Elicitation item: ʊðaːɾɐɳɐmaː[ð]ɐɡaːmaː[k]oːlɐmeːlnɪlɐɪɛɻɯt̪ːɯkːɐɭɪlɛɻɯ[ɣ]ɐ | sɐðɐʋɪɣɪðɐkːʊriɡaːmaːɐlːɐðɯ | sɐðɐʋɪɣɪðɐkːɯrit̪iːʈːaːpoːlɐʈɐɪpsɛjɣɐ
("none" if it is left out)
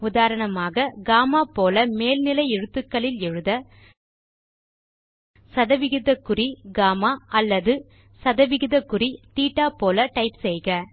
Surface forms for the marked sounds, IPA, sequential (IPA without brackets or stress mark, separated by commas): ɣ, p, ð